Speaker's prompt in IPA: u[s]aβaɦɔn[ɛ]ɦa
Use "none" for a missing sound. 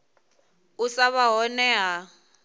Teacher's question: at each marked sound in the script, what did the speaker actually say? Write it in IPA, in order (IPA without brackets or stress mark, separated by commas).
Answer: s, ɛ